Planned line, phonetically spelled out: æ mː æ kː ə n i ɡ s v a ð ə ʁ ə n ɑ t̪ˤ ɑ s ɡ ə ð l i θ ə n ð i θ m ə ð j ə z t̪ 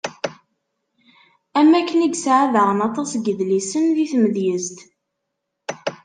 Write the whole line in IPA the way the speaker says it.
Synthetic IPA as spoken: æ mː æ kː ə n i ɡ s ʕ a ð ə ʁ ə n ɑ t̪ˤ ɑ s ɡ ə ð l i s ə n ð i θ m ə ð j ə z t̪